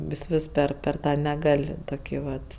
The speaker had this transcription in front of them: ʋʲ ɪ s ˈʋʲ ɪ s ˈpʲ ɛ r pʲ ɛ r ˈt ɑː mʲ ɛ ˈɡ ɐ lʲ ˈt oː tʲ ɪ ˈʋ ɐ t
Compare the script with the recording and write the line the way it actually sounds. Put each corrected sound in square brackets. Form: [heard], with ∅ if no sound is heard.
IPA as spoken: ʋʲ ɪ s ˈʋʲ ɪ s ˈpʲ ɛ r pʲ ɛ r ˈt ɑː [nʲ] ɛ ˈɡ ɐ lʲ ˈt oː [kʲ] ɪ ˈʋ ɐ t